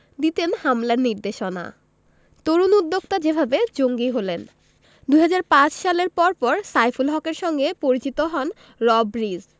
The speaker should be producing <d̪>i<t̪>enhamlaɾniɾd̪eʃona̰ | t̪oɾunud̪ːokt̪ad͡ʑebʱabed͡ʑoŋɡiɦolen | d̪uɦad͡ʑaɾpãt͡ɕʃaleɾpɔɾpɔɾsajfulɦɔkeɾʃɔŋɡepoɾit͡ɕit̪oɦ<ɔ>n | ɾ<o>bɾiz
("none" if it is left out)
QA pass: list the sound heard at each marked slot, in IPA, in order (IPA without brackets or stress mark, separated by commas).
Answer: d̪, t̪, ɔ, ɔ